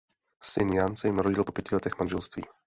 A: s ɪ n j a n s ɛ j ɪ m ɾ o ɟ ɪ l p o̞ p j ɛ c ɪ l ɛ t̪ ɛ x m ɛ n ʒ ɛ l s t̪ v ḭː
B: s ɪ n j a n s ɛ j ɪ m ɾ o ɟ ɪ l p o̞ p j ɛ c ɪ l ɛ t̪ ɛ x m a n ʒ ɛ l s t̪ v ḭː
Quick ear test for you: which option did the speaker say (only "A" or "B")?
B